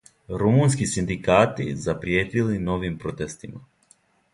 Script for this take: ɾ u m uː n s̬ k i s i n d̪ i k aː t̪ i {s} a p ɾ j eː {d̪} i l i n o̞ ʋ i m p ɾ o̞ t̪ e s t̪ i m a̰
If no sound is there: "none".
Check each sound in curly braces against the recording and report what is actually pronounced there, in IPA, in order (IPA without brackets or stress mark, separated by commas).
z, t̪